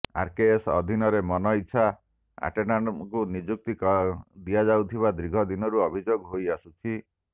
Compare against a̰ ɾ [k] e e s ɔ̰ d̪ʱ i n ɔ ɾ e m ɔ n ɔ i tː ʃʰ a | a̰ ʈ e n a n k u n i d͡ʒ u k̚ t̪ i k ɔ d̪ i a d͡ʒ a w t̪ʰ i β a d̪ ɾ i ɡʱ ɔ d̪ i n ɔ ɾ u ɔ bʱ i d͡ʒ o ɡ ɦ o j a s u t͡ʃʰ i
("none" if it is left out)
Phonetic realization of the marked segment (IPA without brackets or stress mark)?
k